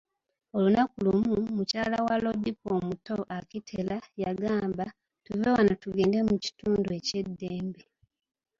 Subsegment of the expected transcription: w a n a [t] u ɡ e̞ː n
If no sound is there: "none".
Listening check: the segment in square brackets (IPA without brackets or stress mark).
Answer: t